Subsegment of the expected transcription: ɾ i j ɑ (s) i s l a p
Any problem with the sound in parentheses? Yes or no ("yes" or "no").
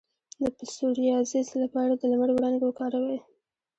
yes